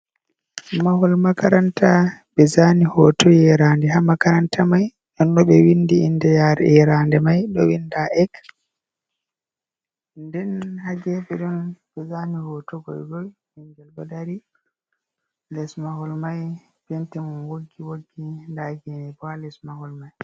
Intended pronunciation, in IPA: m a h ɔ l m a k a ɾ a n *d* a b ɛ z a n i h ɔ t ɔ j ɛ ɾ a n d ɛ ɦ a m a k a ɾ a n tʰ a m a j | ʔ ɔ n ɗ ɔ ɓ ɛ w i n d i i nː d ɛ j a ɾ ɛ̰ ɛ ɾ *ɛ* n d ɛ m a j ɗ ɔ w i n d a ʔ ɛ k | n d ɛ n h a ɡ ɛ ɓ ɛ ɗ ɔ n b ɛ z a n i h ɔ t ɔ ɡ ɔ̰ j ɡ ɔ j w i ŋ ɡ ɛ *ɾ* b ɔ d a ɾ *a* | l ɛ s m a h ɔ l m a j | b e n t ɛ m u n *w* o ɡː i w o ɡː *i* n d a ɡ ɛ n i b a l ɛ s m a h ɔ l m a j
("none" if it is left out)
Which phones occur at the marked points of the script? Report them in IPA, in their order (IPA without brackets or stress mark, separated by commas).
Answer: t, a, l, i, w, i